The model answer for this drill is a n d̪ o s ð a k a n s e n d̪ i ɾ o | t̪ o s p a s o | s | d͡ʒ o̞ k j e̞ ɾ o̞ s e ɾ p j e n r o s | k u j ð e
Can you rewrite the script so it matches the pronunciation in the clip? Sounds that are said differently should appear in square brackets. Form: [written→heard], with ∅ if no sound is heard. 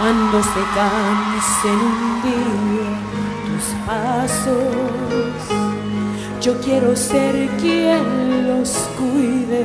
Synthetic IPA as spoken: a n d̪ o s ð [a→e] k a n s e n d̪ i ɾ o | t̪ [o→u] s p a s o | s | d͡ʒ o̞ k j e̞ ɾ o̞ s e ɾ [p→k] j e n [r→l] o s | k u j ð e